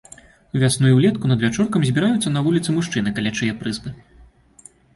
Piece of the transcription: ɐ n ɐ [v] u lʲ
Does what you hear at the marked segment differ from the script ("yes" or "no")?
no